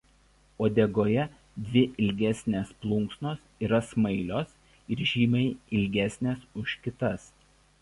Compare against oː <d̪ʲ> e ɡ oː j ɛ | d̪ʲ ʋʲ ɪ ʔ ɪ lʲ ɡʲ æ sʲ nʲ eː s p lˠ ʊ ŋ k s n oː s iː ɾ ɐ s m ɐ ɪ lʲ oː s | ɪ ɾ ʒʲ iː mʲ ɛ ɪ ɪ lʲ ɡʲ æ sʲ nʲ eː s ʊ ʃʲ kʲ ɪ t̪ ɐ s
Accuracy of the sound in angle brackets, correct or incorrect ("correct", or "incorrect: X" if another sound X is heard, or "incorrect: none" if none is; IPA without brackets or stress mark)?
correct